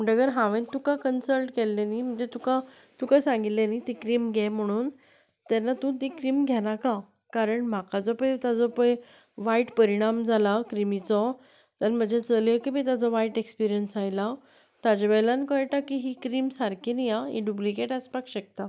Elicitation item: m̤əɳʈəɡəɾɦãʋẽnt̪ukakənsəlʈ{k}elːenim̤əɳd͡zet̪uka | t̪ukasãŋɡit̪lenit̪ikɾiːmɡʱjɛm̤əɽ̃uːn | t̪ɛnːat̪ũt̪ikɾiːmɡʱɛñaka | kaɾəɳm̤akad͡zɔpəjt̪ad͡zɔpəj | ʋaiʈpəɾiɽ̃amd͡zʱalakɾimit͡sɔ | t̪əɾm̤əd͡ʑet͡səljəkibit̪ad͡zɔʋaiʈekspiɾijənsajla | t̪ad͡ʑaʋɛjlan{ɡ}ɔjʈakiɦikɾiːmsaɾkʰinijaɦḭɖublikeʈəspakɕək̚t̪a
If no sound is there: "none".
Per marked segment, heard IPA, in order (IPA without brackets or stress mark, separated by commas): k, k